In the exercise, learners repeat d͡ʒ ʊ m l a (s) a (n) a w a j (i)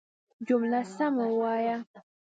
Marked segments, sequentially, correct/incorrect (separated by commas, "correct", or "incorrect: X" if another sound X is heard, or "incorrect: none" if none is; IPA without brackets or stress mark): correct, incorrect: m, incorrect: a